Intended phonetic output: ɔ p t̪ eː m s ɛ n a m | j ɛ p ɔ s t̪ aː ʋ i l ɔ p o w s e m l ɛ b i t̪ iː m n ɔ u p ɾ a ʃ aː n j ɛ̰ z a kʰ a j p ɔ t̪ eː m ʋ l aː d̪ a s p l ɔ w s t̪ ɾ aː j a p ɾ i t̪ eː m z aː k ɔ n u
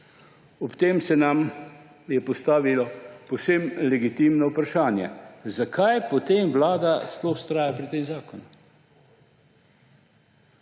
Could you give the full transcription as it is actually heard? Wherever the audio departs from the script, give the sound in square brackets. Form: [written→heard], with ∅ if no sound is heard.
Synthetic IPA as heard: ɔ p t̪ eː m s ɛ n a m | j ɛ p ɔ s t̪ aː ʋ i l ɔ p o w s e m l ɛ [b→ɡ] i t̪ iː m n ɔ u p ɾ a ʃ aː n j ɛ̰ z a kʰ a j p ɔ t̪ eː m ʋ l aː d̪ a s p l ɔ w s t̪ ɾ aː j a p ɾ i t̪ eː m z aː k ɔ n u